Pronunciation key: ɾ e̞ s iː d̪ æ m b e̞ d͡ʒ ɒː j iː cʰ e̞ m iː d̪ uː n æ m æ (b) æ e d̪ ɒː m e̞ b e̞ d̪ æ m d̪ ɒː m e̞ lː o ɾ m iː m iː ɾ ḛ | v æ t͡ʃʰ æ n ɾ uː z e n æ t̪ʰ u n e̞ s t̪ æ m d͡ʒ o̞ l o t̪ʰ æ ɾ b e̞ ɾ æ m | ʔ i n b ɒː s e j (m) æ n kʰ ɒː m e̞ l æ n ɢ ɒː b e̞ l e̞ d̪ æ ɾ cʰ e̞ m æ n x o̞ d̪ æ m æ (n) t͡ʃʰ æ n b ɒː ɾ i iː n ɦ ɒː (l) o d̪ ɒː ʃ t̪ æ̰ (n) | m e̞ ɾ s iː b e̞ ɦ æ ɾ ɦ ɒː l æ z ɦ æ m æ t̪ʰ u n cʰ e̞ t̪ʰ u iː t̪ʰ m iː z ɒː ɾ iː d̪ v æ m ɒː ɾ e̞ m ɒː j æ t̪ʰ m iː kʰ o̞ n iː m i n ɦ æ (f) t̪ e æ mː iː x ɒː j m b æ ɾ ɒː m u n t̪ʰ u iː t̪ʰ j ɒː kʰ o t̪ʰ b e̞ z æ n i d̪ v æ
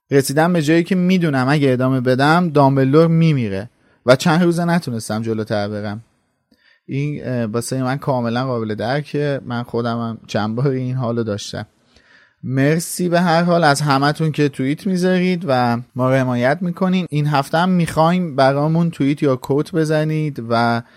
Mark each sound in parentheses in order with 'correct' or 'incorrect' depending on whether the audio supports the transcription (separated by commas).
incorrect, correct, incorrect, correct, incorrect, correct